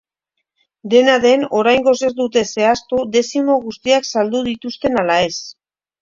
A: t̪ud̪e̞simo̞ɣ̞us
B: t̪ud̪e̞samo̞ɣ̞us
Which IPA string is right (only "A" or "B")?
A